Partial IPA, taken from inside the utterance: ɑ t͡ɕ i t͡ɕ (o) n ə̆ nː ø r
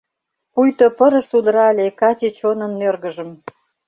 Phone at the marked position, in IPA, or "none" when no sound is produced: o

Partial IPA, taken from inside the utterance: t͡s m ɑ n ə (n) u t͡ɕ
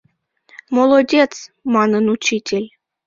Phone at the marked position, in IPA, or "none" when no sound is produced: n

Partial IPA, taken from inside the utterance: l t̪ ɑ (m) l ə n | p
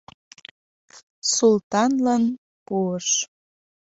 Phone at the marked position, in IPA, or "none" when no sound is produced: n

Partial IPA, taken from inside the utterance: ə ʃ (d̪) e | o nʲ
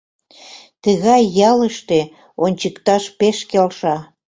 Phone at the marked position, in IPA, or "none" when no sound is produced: t̪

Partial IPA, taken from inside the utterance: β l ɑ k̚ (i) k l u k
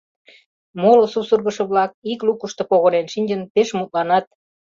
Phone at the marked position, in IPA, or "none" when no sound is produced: i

